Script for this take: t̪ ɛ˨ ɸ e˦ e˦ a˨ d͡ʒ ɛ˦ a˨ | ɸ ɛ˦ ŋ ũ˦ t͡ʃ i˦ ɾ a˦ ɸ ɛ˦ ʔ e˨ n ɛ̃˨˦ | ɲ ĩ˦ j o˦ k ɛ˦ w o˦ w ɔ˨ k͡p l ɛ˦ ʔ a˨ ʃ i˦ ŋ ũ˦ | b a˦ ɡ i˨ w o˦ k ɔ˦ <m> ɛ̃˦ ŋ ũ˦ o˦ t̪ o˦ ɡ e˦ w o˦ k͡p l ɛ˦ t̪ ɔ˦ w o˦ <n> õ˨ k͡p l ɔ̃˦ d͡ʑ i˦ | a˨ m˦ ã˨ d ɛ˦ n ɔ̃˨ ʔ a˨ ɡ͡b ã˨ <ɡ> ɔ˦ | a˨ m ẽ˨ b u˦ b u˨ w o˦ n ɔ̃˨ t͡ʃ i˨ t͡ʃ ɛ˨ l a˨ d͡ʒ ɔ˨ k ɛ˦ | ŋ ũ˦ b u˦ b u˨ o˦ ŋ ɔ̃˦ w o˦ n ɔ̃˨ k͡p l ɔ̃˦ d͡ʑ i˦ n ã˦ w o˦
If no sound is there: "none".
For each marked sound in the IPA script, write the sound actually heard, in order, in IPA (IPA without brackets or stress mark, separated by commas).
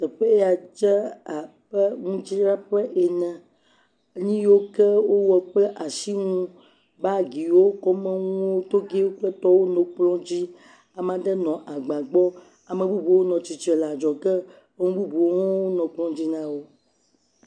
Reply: m, n, ɡ͡b